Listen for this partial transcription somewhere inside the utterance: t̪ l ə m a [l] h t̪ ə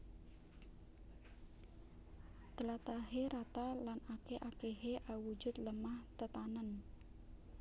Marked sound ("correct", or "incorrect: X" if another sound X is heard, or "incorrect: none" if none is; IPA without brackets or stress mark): incorrect: none